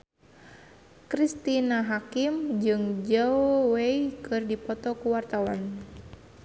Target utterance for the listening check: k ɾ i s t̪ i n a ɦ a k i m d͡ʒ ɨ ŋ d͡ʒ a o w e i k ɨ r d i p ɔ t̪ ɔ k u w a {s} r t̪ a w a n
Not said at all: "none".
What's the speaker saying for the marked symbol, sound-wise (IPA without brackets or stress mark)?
none